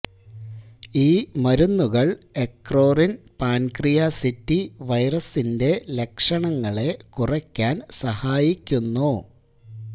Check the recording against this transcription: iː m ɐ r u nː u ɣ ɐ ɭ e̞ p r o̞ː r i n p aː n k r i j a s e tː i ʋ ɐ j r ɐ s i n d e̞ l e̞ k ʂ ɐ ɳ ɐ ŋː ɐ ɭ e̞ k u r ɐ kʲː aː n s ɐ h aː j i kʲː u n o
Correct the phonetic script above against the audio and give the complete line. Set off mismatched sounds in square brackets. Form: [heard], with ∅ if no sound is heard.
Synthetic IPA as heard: iː m ɐ [ɾ] u nː u ɣ ɐ ɭ e̞ [k] r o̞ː r i n p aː n k r i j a s [i] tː i ʋ ɐ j r ɐ s i n d e̞ l e̞ k ʂ ɐ ɳ ɐ ŋː ɐ ɭ e̞ k u r ɐ kʲː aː n s ɐ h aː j i kʲː u [nː] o

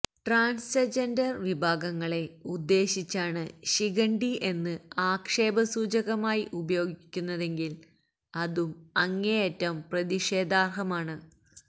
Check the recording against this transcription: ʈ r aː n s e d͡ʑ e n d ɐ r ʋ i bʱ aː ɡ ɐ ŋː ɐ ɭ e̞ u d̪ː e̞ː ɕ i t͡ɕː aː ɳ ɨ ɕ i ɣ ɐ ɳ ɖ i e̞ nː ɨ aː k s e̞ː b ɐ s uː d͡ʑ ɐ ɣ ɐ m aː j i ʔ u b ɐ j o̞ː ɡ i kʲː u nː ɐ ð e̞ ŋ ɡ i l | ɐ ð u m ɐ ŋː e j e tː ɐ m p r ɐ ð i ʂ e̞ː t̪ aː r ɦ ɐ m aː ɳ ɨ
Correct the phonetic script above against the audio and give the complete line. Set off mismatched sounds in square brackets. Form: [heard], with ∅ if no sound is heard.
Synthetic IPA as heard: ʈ r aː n s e d͡ʑ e n d ɐ r ʋ i bʱ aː ɡ ɐ ŋː ɐ ɭ e̞ u d̪ː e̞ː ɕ i t͡ɕː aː ɳ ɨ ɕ i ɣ ɐ ɳ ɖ i e̞ nː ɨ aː k [ʂ] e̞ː b ɐ s uː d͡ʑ ɐ ɣ ɐ m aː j i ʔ u b ɐ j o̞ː ɡ i kʲː u nː ɐ ð e̞ ŋ ɡ i l | ɐ ð u m ɐ ŋː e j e tː ɐ m p r ɐ ð i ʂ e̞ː [d̪] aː r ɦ ɐ m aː ɳ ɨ

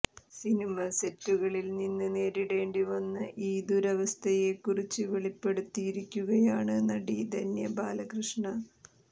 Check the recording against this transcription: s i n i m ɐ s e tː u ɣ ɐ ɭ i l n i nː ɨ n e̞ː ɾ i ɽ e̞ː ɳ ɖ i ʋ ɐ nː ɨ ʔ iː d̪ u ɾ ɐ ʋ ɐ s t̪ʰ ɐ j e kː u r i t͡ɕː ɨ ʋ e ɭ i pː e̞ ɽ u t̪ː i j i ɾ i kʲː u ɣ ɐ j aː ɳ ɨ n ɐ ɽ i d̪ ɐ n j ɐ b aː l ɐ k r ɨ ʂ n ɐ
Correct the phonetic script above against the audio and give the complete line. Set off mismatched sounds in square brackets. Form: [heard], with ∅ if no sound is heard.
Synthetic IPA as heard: s i n i m ɐ s e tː u ɣ ɐ ɭ i l n i nː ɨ n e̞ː ɾ i ɽ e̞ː ɳ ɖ i ʋ ɐ nː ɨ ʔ iː d̪ u ɾ ɐ ʋ ɐ s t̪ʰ ɐ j e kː u r i t͡ɕː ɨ ʋ e ɭ i pː e̞ ɽ u t̪ː i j i ɾ i kʲː u ɣ ɐ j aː ɳ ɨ n ɐ ɽ i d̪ ɐ n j ɐ b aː l ɐ k r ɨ ʂ [ɳ] ɐ

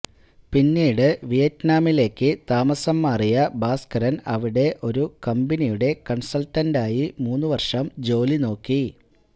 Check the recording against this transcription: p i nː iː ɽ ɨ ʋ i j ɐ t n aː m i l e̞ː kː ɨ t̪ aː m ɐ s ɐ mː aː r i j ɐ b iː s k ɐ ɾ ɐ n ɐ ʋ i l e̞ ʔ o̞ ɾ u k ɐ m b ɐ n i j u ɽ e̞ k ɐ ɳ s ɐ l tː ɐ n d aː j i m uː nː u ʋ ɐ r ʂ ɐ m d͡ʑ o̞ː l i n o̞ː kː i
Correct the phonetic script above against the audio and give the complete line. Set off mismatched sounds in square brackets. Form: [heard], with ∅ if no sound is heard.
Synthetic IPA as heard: p i nː iː ɽ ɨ ʋ i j ɐ t n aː m i l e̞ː kː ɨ t̪ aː m ɐ s ɐ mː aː r i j ɐ b [aː] s k ɐ ɾ ɐ n ɐ ʋ i [ɽ] e̞ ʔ o̞ ɾ u k ɐ m b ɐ n i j u ɽ e̞ k ɐ ɳ s ɐ l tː ɐ n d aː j i m uː nː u ʋ ɐ r ʂ ɐ m d͡ʑ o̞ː l i n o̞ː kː i

